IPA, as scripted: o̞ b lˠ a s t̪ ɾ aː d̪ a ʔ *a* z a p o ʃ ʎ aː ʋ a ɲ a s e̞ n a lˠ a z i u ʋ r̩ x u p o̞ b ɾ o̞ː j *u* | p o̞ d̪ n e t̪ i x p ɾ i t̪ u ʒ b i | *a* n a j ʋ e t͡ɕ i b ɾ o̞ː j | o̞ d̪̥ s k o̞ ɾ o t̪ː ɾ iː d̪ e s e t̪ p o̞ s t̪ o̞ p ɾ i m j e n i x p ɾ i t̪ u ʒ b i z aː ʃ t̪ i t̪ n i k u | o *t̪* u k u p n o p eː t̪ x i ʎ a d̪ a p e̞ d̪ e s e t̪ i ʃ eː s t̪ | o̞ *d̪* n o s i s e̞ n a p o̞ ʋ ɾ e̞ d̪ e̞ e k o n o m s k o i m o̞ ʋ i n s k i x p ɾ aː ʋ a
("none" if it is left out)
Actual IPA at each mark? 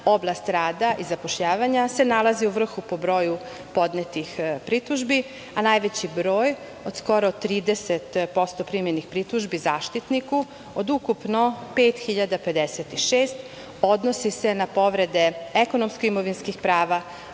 i, u, a, d̪, d̪

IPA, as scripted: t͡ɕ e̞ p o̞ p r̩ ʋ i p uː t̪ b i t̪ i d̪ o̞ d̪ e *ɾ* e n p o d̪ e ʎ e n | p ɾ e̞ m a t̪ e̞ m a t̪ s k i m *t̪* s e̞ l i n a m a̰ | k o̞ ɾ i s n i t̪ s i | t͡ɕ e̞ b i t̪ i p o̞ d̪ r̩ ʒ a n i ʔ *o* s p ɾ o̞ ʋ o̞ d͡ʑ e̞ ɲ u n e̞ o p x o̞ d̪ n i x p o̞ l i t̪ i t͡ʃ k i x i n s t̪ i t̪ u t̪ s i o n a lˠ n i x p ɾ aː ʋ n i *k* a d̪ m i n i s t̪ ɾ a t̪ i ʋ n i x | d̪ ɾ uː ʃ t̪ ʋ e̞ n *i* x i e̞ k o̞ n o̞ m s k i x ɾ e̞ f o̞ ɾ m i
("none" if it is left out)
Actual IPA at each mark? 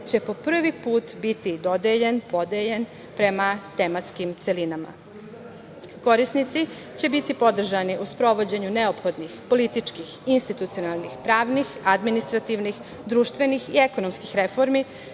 ʎ, t̪, u, x, i

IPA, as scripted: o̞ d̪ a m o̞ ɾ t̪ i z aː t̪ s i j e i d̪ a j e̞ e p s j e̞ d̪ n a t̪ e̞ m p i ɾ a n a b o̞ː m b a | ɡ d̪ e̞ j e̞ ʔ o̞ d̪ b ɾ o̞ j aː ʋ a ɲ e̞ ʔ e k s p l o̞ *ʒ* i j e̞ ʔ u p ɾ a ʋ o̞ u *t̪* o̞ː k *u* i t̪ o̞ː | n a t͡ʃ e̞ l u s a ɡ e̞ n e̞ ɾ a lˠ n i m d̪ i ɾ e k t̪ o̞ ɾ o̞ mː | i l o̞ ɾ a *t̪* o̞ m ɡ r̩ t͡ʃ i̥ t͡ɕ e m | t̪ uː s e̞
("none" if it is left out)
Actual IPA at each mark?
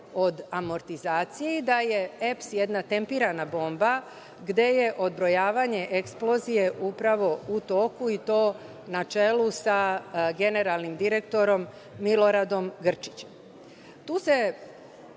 z, t̪, u, d̪

